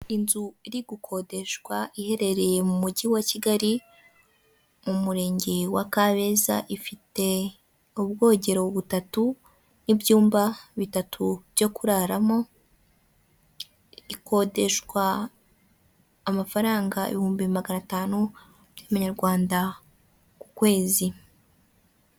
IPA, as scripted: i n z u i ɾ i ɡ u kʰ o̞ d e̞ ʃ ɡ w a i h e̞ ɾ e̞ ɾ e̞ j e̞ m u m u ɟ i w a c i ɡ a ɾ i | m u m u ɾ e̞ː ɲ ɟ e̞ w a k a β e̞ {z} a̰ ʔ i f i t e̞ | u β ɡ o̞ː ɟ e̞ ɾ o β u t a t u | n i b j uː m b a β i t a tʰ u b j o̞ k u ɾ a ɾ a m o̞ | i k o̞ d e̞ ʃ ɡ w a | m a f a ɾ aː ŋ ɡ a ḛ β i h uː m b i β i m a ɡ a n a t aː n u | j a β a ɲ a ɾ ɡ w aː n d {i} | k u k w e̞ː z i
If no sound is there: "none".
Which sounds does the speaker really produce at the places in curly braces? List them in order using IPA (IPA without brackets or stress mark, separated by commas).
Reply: z, a